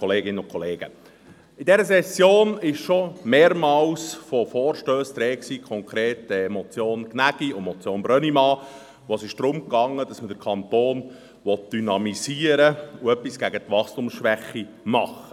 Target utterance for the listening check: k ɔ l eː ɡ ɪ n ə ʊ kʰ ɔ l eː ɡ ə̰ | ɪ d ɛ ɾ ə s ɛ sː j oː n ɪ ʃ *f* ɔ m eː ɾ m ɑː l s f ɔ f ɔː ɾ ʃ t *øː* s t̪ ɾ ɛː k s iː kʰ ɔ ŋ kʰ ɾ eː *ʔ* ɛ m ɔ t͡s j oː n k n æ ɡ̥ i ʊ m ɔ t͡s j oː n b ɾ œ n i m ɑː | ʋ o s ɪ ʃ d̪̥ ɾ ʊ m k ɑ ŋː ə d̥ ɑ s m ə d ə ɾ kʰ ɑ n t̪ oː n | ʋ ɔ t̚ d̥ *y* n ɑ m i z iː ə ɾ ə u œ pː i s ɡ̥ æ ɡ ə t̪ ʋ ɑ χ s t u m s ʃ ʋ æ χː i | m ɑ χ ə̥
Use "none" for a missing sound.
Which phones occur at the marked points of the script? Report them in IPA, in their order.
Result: ʃ, øː, t, y

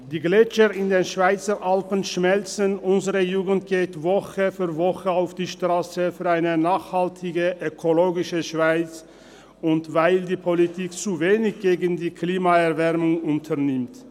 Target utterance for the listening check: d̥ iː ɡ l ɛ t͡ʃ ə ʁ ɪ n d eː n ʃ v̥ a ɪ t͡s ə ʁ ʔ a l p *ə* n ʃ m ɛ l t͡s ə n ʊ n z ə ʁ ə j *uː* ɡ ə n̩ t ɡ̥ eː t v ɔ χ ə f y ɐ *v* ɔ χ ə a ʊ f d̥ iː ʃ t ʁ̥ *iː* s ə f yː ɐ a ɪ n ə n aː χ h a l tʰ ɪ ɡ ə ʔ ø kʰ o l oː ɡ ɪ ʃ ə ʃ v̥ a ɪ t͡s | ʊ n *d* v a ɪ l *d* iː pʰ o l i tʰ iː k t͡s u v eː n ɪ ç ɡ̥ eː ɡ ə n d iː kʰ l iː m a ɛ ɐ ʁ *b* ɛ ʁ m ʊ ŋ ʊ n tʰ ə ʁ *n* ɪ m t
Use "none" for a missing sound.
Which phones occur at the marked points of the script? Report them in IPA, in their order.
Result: ə, uː, v, aː, t, d, v, n

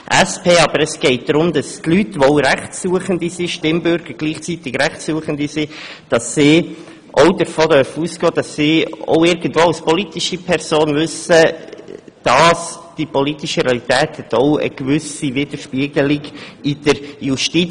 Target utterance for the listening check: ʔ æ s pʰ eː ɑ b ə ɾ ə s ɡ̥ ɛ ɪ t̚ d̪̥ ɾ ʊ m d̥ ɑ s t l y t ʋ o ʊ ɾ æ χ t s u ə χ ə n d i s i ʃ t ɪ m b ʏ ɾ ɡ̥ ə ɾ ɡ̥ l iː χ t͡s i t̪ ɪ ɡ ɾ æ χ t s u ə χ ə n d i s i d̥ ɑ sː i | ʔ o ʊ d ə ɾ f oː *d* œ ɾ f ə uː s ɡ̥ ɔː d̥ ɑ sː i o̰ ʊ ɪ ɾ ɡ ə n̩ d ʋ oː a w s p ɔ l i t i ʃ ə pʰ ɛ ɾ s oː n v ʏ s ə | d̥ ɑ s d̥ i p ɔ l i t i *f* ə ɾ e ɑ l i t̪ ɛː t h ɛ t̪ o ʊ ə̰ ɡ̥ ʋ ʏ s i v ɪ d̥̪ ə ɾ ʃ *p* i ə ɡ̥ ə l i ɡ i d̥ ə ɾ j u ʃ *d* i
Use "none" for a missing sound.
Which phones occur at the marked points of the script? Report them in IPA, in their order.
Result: d, ʃ, p, t

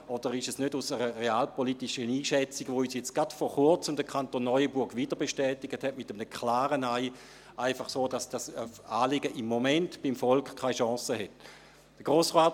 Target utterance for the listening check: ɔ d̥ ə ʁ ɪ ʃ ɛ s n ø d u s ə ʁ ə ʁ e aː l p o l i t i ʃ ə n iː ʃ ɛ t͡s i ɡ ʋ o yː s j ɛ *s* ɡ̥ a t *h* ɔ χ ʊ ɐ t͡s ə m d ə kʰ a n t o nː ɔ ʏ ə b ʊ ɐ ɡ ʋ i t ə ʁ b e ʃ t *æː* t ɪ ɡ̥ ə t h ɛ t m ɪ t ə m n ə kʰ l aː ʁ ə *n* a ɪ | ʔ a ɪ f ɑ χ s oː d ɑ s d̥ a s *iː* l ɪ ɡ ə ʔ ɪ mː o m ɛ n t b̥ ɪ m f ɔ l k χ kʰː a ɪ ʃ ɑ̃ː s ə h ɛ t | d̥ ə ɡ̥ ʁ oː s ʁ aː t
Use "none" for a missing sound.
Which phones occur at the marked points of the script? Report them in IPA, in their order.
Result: t͡s, f, ɛː, n, aː

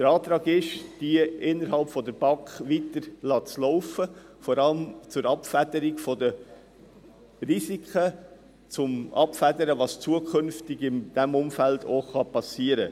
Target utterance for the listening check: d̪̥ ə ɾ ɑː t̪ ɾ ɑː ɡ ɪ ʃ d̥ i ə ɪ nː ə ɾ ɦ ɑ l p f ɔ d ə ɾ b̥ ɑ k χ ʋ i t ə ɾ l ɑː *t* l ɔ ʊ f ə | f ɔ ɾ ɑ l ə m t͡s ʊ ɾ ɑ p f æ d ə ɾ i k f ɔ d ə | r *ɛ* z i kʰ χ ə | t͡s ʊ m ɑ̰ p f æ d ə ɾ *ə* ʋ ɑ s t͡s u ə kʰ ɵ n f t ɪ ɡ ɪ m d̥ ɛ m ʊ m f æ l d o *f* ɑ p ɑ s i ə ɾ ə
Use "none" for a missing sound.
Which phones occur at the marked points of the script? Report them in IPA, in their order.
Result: t͡s, i, ə, χ

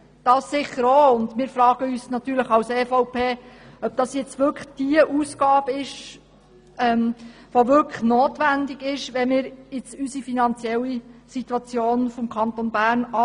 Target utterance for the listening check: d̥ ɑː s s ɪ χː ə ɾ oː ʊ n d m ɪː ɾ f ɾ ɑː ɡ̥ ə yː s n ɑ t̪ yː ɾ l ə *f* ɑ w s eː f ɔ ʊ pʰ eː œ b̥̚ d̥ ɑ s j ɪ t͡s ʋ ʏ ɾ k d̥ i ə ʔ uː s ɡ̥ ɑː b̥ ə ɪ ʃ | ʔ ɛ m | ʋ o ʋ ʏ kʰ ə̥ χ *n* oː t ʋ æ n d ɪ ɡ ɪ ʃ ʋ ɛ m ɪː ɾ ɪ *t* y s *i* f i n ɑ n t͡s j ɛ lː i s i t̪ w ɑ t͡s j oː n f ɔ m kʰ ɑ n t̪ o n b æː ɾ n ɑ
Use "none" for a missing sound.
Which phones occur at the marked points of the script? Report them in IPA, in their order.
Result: χ, n, t͡s, i

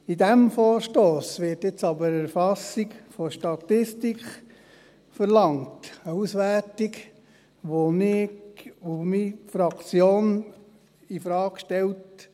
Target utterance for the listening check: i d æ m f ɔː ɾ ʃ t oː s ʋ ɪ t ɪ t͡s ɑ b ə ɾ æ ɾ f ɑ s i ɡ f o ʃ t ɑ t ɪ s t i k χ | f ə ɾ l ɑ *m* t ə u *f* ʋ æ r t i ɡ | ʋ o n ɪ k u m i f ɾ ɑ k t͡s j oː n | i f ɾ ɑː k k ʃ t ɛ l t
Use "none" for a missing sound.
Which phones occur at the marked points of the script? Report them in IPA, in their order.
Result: ŋ, s

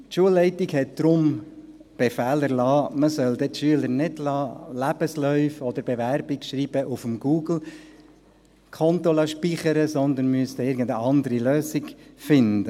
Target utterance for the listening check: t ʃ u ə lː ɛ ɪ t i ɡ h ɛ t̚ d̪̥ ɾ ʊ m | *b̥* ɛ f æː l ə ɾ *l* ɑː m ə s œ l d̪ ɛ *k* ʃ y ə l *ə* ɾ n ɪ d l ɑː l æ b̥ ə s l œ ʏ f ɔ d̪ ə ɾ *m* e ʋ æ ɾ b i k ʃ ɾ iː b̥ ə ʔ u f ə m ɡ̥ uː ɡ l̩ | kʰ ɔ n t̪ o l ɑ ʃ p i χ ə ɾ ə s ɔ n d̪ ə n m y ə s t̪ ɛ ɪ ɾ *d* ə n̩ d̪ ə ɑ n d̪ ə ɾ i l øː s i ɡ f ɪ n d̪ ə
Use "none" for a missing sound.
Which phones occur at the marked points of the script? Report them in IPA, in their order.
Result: b̥, l, t, ə, b, ɡ

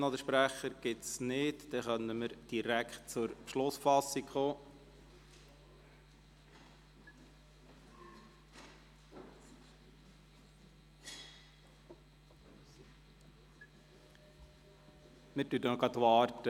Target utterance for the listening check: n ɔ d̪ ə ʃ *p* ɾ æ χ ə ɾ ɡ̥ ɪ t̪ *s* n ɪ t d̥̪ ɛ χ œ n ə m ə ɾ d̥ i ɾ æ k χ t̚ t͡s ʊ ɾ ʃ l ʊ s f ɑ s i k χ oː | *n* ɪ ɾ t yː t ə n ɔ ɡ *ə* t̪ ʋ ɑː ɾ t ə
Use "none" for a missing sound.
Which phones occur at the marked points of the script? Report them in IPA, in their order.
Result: p, s, m, ɑ

